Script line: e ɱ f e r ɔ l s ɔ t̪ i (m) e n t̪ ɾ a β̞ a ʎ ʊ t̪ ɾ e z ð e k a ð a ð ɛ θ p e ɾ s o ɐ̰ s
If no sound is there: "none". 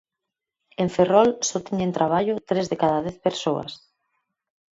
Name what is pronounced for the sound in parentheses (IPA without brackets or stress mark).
ɲ